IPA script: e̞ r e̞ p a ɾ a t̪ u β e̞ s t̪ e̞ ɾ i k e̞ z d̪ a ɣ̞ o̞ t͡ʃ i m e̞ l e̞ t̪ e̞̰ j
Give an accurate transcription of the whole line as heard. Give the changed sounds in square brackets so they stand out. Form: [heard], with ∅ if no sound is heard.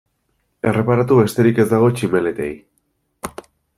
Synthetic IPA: e̞ r e̞ p a ɾ a t̪ u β e̞ s t̪ e̞ ɾ i k e̞ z d̪ a ɣ̞ o̞ t͡ʃ i m e̞ l e̞ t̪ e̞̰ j